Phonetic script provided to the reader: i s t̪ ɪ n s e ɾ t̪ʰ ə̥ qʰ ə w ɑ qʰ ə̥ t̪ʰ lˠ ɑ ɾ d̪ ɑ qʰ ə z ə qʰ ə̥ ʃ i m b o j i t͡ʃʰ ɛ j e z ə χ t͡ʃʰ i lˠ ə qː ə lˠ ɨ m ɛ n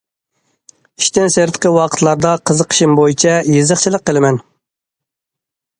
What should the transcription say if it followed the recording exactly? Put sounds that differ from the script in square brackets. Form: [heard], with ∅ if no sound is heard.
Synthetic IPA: i [ʃ] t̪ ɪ n s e ɾ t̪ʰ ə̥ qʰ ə w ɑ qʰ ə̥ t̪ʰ lˠ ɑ ɾ d̪ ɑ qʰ ə z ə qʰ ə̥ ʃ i m b o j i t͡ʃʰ ɛ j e z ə χ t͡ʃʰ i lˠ ə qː ə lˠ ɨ m ɛ n